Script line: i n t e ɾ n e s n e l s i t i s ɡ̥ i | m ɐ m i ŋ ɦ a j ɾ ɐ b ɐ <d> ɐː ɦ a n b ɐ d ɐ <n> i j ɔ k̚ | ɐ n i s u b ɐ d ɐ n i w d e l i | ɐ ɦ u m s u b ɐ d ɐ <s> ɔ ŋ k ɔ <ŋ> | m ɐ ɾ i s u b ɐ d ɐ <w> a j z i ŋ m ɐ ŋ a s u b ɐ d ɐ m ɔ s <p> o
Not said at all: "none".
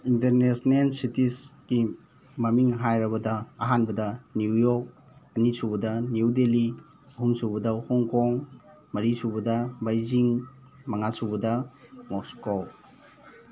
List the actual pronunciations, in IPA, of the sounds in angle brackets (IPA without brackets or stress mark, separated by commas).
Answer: d, n, h, ŋ, b, k